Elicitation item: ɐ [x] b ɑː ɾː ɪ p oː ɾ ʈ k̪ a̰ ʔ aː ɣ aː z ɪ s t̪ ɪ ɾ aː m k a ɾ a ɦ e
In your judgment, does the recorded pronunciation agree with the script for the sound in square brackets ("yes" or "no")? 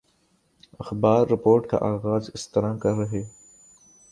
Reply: yes